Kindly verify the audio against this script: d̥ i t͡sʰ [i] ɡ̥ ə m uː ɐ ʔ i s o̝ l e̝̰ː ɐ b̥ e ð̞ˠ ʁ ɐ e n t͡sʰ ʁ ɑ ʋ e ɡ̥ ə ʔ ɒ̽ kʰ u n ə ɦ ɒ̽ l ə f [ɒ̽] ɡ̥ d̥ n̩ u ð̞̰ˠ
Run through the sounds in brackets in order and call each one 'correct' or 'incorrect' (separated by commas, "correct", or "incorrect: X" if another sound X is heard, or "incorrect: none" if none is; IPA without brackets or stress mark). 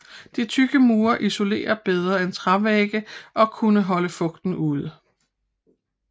incorrect: y, incorrect: ɔ̽